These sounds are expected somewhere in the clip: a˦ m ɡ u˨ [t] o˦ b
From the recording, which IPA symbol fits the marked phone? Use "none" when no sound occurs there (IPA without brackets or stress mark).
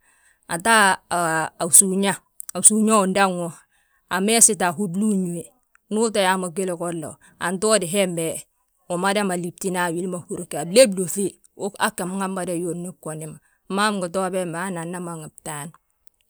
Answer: t